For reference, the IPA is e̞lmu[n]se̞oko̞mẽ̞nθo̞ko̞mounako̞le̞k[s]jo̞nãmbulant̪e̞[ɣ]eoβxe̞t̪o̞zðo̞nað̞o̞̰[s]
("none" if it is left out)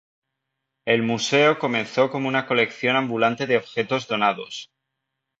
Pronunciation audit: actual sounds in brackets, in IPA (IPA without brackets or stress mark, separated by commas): none, θ, ð, s